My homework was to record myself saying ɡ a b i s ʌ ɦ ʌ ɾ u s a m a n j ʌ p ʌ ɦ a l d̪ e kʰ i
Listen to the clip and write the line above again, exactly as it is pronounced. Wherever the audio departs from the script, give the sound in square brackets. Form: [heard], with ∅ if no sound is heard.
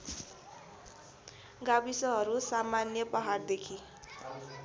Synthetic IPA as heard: ɡ a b i s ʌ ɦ ʌ ɾ u s a m a n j ʌ p ʌ ɦ a [r] d̪ e kʰ i